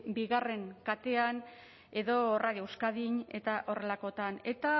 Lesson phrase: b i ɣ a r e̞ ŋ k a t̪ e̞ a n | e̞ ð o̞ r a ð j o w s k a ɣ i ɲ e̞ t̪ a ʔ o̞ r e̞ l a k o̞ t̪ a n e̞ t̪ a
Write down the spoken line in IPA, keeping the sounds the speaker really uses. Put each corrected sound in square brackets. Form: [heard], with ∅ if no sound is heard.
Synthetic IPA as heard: b i ɣ a r e̞ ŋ k a t̪ e̞ a n | e̞ ð o̞ r a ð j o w s k a [ð] i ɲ e̞ t̪ a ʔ o̞ r e̞ l a k o̞ t̪ a n e̞ t̪ a